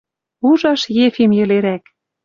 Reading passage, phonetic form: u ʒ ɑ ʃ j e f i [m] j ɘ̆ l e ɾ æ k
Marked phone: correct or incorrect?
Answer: correct